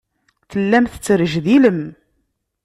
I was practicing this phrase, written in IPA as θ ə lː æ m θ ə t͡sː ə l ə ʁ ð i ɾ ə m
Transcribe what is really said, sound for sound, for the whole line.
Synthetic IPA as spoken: θ ə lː æ m θ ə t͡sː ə ɾ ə ʒ ð i l ə m

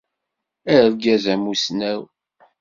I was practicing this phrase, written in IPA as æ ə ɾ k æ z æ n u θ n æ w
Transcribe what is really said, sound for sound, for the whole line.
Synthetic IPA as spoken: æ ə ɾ ɡ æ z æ m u s n æ w

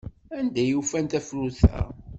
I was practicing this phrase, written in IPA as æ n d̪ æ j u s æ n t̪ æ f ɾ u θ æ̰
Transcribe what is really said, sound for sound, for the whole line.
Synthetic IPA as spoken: æ n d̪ æ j u f æ n t̪ æ f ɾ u θ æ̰

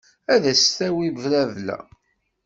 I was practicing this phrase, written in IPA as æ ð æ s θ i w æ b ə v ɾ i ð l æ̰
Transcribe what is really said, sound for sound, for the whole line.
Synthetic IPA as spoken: æ ð æ s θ æ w i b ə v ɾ æ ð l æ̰

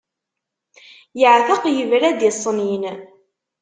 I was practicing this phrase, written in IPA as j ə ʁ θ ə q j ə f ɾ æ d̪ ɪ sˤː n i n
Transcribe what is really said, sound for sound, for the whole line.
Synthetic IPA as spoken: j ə ʕ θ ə q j ə v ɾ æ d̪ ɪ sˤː n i n

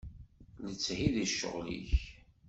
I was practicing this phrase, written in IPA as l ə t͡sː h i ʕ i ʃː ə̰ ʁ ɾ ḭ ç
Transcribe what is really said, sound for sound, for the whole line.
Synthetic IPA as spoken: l ə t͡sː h i ð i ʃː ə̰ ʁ l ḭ ç

